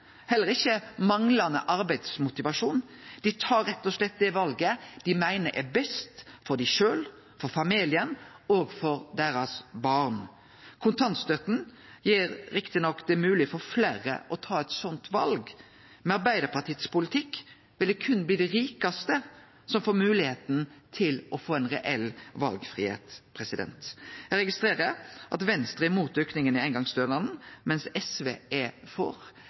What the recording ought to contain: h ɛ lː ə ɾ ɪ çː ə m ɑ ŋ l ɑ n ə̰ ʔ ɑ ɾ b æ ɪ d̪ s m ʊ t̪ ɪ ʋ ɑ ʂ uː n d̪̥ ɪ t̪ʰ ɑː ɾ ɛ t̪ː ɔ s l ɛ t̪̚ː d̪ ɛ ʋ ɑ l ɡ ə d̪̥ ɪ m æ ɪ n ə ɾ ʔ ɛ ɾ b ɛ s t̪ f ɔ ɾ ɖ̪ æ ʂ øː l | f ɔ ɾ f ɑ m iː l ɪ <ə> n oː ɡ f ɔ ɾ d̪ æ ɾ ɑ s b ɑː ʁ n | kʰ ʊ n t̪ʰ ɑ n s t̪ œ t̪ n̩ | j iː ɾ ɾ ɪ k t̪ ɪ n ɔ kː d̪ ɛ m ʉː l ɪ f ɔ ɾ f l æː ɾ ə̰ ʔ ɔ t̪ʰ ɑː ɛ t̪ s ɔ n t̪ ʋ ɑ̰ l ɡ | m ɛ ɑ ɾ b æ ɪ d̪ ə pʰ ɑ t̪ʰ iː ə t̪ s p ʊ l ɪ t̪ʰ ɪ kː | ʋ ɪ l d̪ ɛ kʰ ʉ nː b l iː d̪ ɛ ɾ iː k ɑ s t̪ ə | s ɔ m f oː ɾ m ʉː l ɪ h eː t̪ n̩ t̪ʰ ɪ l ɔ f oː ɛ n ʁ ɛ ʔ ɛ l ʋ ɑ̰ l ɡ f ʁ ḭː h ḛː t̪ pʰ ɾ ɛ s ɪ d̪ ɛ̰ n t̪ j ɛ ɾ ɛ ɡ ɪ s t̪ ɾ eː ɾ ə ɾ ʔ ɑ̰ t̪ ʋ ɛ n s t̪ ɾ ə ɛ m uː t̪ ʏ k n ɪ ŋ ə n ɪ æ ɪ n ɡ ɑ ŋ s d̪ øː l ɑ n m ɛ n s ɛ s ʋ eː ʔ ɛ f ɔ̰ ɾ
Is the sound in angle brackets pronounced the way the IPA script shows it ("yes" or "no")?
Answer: yes